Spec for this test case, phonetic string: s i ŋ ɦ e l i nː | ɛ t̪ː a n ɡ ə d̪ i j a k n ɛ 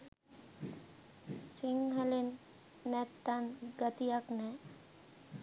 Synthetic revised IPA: s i ŋ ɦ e l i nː | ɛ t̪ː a n ɡ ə t̪ i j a k n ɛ